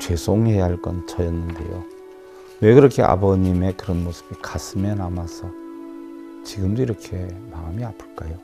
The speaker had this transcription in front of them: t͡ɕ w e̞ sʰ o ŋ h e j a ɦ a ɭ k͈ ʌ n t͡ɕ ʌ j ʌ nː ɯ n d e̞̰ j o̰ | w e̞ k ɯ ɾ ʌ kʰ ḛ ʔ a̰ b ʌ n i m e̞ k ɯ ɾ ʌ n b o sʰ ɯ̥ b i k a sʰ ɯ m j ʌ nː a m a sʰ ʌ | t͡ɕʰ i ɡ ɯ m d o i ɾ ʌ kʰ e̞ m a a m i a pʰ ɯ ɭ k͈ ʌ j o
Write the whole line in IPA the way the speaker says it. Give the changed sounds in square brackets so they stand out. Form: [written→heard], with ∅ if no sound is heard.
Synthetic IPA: t͡ɕ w e̞ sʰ o ŋ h e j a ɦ a ɭ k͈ ʌ n t͡ɕ ʌ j ʌ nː ɯ n d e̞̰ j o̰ | w e̞ k ɯ ɾ ʌ kʰ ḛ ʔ a̰ b ʌ [n→ɲ] i m e̞ k ɯ ɾ ʌ n [b→m] o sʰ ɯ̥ b i k a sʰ ɯ m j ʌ [nː→n] a m a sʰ ʌ | [t͡ɕʰ→t͡ɕ] i ɡ ɯ m d o i ɾ ʌ kʰ e̞ m a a m i a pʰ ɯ ɭ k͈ [ʌ→a] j o

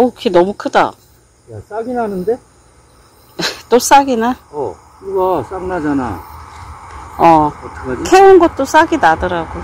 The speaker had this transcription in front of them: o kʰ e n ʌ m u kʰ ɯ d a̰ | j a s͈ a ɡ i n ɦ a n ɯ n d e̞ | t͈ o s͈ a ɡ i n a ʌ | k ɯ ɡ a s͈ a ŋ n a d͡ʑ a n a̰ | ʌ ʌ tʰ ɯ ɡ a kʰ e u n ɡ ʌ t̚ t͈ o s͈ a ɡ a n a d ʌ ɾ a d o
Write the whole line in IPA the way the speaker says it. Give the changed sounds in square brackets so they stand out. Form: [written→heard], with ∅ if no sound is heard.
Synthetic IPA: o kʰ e n ʌ m u kʰ ɯ d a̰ | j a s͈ a ɡ i n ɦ a n ɯ n d e̞ | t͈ o s͈ a ɡ i n a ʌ | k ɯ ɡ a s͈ a ŋ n a d͡ʑ a n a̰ | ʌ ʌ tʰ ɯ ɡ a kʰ e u n ɡ ʌ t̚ t͈ o s͈ a ɡ [a→i] n a d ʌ ɾ a [d→ɡ] o

